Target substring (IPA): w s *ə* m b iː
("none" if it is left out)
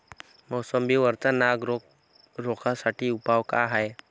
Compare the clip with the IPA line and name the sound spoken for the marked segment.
ə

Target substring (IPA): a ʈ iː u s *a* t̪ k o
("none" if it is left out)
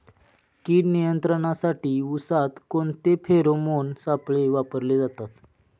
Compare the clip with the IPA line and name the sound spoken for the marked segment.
a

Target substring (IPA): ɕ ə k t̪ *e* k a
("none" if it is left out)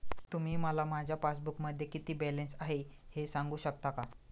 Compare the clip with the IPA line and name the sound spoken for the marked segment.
a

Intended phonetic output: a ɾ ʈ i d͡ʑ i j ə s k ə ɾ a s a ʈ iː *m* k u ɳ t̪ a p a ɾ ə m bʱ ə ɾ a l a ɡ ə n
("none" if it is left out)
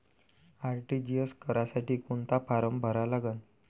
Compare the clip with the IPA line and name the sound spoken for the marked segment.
none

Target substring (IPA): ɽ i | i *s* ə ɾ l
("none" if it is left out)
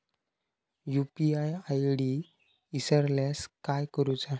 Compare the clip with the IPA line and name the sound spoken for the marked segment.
s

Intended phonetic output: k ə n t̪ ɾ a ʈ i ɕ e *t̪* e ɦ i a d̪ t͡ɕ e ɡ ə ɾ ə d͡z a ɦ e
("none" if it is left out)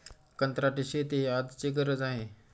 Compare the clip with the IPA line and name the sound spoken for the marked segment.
t̪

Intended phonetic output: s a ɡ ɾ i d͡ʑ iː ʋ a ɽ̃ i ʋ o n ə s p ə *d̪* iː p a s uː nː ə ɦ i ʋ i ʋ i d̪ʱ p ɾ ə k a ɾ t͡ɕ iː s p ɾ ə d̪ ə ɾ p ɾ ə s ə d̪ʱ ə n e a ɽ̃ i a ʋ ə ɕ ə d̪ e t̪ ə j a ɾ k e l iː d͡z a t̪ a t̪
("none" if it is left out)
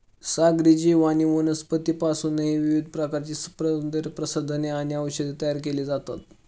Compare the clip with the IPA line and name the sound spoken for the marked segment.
t̪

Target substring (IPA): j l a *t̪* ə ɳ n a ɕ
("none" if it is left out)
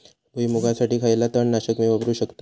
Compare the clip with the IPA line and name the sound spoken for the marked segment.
t̪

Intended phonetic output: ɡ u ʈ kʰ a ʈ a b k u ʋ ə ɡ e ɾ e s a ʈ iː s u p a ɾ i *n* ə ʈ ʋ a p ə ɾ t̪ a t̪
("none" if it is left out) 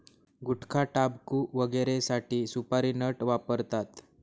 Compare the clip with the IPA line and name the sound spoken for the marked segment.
n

